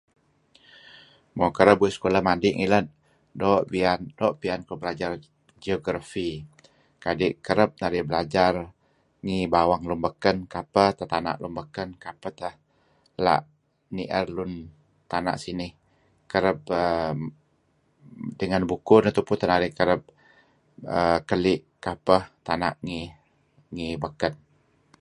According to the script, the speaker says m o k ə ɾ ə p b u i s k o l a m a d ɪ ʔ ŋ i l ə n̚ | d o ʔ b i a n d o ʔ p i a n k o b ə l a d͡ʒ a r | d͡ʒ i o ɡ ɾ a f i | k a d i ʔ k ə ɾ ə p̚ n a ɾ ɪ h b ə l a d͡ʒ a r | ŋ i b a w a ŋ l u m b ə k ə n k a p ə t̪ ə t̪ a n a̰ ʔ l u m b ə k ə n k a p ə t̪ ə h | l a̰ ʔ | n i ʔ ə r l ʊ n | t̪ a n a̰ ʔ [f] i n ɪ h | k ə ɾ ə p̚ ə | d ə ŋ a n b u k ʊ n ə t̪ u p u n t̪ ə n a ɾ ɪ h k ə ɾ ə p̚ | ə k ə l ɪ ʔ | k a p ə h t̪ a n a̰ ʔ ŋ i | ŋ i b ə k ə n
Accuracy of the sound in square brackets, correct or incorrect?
incorrect